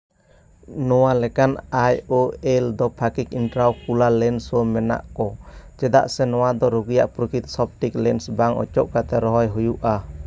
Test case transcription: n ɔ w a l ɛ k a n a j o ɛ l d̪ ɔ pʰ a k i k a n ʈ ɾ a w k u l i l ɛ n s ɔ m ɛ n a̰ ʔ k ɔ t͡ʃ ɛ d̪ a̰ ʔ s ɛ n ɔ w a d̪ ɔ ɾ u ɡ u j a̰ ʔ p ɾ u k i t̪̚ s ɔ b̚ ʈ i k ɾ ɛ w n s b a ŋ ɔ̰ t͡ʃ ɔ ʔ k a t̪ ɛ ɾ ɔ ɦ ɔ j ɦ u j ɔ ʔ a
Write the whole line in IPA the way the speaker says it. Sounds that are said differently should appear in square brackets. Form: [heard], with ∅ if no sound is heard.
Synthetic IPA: n ɔ w a l ɛ k a n a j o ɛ l d̪ ɔ pʰ a k i k [i] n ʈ ɾ a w k u l [a] l ɛ n s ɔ m ɛ n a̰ ʔ k ɔ t͡ʃ ɛ d̪ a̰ ʔ s ɛ n ɔ w a d̪ ɔ ɾ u ɡ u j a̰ ʔ p ɾ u k i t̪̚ s ɔ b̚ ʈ i k [l] ɛ [∅] n s b a ŋ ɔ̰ t͡ʃ ɔ ʔ k a t̪ ɛ ɾ ɔ ɦ ɔ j ɦ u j [u] ʔ a